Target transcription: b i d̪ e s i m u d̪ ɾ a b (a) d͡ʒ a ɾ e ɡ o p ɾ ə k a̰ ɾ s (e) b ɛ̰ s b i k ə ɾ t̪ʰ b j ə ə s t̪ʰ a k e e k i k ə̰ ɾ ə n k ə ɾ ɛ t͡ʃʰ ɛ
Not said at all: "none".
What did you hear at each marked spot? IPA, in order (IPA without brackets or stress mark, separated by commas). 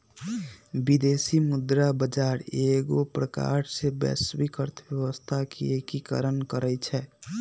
ə, e